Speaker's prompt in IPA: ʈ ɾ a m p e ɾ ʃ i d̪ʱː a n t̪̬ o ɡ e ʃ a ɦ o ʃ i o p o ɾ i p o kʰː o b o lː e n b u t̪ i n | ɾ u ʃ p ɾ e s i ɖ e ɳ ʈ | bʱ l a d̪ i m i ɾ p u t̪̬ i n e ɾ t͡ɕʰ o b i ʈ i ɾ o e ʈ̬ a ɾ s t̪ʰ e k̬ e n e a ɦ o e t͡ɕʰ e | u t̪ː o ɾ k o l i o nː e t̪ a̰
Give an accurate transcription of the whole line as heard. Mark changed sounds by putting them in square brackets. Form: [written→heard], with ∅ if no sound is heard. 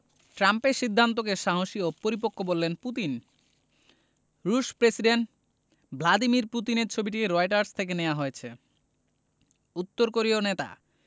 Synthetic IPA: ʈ ɾ a m p e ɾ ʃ i d̪ʱː a n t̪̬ o [ɡ→k] e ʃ a ɦ o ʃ i o p o ɾ i p o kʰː o b o lː e n [b→p] u t̪ i n | ɾ u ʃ p ɾ e s i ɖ e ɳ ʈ | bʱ l a d̪ i m i ɾ p u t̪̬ i n e ɾ t͡ɕʰ o b i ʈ i ɾ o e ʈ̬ a ɾ s t̪ʰ e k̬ e n e a ɦ o e t͡ɕʰ e | u t̪ː o ɾ k o [l→ɾ] i o [nː→n] e t̪ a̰

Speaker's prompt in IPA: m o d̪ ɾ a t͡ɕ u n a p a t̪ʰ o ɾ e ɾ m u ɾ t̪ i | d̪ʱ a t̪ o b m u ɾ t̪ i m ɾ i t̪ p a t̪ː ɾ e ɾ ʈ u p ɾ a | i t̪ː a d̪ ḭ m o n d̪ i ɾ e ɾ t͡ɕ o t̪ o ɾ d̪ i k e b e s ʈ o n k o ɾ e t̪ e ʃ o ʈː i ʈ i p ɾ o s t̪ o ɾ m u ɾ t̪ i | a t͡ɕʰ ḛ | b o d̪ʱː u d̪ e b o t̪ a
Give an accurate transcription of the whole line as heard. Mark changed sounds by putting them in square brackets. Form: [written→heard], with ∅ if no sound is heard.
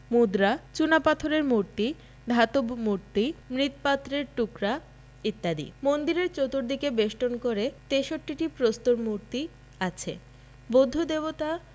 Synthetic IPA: m [o→u] d̪ ɾ a t͡ɕ u n a p a t̪ʰ o ɾ e ɾ m u ɾ t̪ i | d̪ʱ a t̪ o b m u ɾ t̪ i m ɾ i t̪ p a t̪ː ɾ e ɾ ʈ u [p→k] ɾ a | i t̪ː a d̪ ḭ m o n d̪ i ɾ e ɾ t͡ɕ o t̪ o ɾ d̪ i k e b e [s→ʃ] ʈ o n k o ɾ e t̪ e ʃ o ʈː i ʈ i p ɾ o s t̪ o ɾ m u ɾ t̪ i | a t͡ɕʰ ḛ | b o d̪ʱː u d̪ e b o t̪ a

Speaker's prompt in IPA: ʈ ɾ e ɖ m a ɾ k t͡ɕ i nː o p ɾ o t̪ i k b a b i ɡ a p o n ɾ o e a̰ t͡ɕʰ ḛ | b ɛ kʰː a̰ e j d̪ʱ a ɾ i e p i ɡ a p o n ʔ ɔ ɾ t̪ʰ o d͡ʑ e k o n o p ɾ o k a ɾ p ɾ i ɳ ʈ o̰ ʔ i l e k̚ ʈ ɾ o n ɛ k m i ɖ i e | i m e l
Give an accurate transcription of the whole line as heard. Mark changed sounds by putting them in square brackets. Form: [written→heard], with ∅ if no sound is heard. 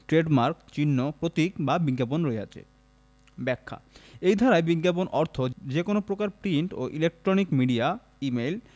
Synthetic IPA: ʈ ɾ e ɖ m a ɾ k t͡ɕ i nː o p ɾ o t̪ i k b a b i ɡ a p o n ɾ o e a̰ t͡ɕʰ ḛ | b ɛ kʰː a̰ e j d̪ʱ a ɾ [i→a] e [p→b] i ɡ a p o n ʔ ɔ ɾ t̪ʰ o d͡ʑ e k o n o p ɾ o k a ɾ p ɾ i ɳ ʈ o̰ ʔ i l e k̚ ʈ ɾ o n [ɛ→i] k m i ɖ i [e→a] | i m e l

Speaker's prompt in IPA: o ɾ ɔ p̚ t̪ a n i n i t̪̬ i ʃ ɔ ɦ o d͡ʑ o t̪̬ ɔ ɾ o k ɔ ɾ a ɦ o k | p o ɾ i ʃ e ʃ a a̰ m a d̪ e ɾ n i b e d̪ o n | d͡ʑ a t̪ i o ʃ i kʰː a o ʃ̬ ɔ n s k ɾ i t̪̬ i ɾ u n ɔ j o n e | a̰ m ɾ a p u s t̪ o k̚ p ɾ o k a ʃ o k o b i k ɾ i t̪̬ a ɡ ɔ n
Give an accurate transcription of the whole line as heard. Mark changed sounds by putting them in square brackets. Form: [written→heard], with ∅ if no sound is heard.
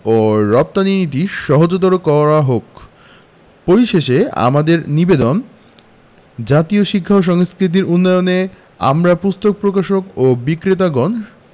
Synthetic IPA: o ɾ ɔ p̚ t̪ a n i n i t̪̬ i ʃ ɔ ɦ o d͡ʑ o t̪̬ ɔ ɾ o k ɔ ɾ a ɦ o k | p o ɾ i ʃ e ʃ [a→e] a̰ m a d̪ e ɾ n i b e d̪ o n | d͡ʑ a t̪ i o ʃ i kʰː a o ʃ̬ ɔ [n→ŋ] s k ɾ i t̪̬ i ɾ u [n→nː] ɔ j o n e | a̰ m ɾ a p u s t̪ o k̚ p ɾ o k a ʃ o k o b i k ɾ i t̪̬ a ɡ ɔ n

